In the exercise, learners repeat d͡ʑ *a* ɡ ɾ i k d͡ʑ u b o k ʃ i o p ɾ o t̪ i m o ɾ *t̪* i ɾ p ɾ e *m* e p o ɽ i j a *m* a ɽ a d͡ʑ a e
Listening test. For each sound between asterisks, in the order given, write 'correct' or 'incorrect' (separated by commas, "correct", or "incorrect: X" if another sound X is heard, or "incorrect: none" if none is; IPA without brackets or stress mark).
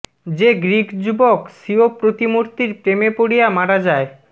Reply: incorrect: e, correct, correct, correct